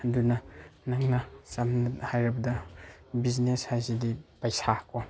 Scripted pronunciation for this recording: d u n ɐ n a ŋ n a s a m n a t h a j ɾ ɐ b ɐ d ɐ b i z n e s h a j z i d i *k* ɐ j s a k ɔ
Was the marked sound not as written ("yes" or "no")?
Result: yes